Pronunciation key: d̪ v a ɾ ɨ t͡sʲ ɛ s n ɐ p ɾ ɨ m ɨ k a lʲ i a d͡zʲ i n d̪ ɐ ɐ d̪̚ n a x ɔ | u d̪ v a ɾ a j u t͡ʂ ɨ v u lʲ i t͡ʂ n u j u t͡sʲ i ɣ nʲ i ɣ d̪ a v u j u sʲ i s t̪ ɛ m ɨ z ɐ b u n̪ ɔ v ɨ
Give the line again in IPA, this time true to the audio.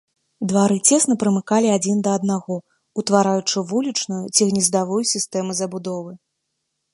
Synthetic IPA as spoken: d̪ v a ɾ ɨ t͡sʲ ɛ s n ɐ p ɾ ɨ m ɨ k a lʲ i a d͡zʲ i n d̪ ɐ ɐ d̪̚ n a ɣ ɔ | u t̪ v a ɾ a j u t͡ʂ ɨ v u lʲ i t͡ʂ n u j u t͡sʲ i ɣ nʲ i z d̪ a v u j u sʲ i s t̪ ɛ m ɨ z ɐ b u d̪ ɔ v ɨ

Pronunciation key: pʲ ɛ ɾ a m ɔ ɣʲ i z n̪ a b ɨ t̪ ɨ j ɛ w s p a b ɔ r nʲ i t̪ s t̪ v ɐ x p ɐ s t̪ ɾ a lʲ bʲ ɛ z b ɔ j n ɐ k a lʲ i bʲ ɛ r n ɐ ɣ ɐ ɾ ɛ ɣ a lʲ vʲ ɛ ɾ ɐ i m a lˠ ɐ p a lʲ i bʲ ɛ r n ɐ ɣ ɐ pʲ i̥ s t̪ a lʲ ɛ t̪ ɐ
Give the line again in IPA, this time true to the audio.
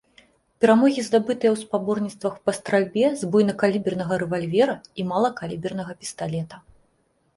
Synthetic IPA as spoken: pʲ ɛ ɾ a m ɔ ɣʲ i z d̪ a b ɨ t̪ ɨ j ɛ w s p a b ɔ r nʲ i t̪ s t̪ v ɐ x p ɐ s t̪ ɾ a lʲ bʲ ɛ z b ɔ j n ɐ k a lʲ i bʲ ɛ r n ɐ ɣ ɐ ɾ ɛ v a lʲ vʲ ɛ ɾ ɐ i m a lˠ ɐ k a lʲ i bʲ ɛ r n ɐ ɣ ɐ pʲ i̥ s t̪ a lʲ ɛ t̪ ɐ

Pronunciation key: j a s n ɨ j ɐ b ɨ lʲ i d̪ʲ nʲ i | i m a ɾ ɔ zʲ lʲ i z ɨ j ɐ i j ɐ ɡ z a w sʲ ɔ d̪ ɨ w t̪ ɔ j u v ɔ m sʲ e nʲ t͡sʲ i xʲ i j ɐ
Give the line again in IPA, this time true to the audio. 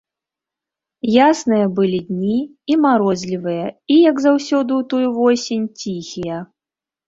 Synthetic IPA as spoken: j a s n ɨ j ɐ b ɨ lʲ i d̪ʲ nʲ i | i m a ɾ ɔ zʲ lʲ i v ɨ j ɐ i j ɐ ɡ z a w sʲ ɔ d̪ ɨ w t̪ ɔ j u v ɔ sʲ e nʲ t͡sʲ i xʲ i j ɐ

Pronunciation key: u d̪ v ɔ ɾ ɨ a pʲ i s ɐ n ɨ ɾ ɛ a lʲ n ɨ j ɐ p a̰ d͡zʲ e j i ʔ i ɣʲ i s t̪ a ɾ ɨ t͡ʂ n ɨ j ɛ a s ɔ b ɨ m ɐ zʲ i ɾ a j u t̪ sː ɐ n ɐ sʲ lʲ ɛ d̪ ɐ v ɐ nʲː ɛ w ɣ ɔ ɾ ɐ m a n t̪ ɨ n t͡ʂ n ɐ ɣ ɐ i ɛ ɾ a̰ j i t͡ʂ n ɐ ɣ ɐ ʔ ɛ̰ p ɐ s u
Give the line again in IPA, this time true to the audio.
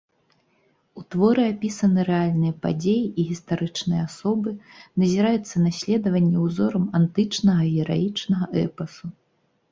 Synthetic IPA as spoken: u t̪ v ɔ ɾ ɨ a pʲ i s ɐ n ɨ ɾ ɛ a lʲ n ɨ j ɐ p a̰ d͡zʲ e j i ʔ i ɣʲ i s t̪ a ɾ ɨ t͡ʂ n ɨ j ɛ a s ɔ b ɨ n ɐ zʲ i ɾ a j u t̪ sː ɐ n a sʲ lʲ ɛ d̪ ɐ v ɐ nʲː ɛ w z ɔ ɾ ɐ m a n t̪ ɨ t͡ʂ n ɐ ɣ ɐ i ɛ ɾ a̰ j i t͡ʂ n ɐ ɣ ɐ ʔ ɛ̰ p ɐ s u

